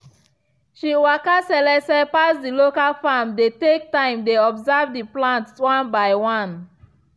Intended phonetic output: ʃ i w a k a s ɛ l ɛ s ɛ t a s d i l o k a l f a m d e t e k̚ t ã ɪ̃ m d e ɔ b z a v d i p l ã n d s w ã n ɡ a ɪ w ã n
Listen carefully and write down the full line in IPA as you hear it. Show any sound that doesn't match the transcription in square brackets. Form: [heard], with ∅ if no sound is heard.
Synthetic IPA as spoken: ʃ i w a k a s ɛ l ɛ s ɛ [p] a s d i l o k a l f a m d e t e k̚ t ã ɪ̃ m d e ɔ b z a v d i p l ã n [t] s w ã n [b] a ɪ w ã n